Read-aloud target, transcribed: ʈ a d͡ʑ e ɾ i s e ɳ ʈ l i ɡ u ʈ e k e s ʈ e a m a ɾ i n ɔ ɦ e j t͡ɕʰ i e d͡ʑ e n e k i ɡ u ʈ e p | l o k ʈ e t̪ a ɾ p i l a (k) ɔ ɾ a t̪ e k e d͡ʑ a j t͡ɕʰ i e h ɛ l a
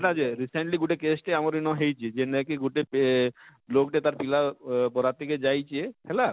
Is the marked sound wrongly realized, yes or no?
yes